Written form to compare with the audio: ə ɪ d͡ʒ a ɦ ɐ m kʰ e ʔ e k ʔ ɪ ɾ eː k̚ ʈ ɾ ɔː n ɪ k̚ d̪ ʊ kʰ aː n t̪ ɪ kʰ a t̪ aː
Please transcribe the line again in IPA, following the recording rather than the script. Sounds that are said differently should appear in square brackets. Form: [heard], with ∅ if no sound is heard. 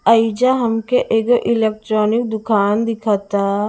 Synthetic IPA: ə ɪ d͡ʒ a ɦ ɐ m [k] e ʔ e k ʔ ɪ [l] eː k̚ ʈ ɾ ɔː n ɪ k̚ d̪ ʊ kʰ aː n [d̪] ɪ kʰ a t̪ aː